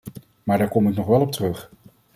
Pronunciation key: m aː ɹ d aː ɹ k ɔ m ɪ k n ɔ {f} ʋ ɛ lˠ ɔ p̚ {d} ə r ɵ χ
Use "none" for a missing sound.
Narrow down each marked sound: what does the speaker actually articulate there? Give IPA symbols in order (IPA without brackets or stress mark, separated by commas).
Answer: χ, t